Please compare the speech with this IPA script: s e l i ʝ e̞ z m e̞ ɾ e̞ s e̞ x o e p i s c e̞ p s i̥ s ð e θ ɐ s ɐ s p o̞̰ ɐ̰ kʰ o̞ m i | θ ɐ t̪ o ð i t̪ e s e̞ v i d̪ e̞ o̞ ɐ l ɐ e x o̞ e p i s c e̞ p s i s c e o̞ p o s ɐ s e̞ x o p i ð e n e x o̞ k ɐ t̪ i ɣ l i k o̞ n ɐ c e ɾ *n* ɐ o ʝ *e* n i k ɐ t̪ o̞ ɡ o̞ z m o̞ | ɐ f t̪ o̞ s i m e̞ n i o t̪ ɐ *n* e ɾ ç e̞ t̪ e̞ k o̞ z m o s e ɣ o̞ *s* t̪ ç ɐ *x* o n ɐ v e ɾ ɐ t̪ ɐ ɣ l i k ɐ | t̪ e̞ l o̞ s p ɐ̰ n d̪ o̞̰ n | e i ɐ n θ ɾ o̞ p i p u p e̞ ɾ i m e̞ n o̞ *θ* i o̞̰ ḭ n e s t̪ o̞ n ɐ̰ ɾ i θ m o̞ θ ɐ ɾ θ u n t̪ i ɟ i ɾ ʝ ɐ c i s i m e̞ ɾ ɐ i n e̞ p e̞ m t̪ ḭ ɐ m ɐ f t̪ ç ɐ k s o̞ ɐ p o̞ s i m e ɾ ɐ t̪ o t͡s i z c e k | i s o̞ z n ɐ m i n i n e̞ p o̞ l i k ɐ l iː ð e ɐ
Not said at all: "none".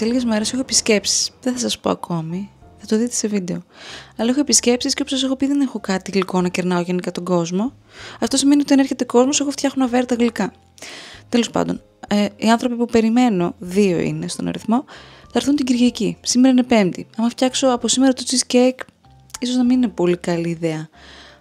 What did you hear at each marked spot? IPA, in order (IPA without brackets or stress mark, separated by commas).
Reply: n, e, n, f, x, ð